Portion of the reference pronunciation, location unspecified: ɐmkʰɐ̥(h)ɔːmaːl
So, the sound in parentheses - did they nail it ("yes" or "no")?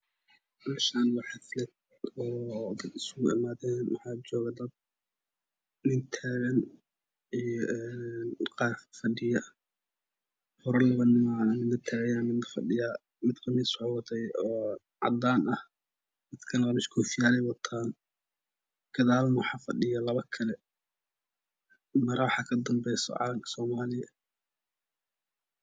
no